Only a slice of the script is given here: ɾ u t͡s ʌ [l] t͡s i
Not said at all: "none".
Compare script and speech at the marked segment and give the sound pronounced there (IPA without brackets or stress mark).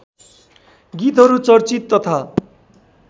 r